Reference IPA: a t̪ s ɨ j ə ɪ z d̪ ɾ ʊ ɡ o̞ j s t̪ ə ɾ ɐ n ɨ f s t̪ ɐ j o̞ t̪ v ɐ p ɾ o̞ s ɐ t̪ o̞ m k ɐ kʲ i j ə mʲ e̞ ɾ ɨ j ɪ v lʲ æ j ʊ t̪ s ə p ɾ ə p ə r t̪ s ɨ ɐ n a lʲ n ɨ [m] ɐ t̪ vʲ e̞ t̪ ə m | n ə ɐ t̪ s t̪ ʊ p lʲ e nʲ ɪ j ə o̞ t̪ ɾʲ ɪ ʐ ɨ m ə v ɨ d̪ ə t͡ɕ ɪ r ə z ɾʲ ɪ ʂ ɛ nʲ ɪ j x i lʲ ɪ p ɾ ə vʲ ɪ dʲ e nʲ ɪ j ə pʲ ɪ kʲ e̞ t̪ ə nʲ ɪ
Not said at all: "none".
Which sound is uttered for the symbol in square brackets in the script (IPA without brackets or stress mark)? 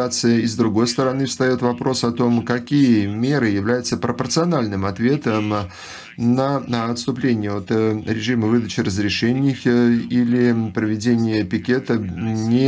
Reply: m